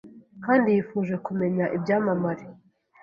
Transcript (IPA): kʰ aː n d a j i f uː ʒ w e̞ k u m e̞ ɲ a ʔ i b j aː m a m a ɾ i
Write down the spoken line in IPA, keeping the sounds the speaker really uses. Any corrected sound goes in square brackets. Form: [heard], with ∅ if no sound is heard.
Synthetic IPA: [k] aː n d [i] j i f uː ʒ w e̞ k u m e̞ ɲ a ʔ i b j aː m a m a ɾ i